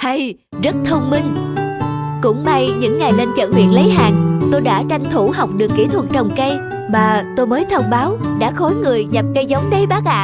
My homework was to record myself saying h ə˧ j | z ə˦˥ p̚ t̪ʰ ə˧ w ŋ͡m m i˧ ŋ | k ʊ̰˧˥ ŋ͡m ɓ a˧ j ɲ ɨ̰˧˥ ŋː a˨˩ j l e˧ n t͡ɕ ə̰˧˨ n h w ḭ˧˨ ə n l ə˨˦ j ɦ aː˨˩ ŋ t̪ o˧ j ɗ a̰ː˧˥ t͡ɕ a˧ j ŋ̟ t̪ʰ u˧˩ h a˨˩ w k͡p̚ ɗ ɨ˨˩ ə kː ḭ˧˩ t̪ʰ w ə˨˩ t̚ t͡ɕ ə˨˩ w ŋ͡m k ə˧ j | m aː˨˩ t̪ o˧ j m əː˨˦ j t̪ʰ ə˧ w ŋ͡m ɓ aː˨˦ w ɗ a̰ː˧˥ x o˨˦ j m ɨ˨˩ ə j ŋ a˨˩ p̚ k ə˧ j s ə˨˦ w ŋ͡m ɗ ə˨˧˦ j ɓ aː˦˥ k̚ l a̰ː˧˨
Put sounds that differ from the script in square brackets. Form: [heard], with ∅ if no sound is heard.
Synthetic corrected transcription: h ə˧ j | z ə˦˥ [t̚] t̪ʰ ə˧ w ŋ͡m m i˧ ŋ | k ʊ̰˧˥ ŋ͡m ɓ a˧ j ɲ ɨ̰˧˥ ŋː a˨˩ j l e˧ n t͡ɕ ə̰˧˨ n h w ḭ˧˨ ə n l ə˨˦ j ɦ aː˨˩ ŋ t̪ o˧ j ɗ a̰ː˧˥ t͡ɕ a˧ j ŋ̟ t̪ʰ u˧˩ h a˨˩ w k͡p̚ ɗ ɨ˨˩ ə kː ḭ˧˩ t̪ʰ w ə˨˩ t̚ t͡ɕ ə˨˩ w ŋ͡m k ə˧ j | m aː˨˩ t̪ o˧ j m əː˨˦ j t̪ʰ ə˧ w ŋ͡m ɓ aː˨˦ w ɗ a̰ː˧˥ x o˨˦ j [ŋ] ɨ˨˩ ə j [ɲ] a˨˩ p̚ k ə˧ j [z] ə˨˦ w ŋ͡m ɗ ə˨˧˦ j ɓ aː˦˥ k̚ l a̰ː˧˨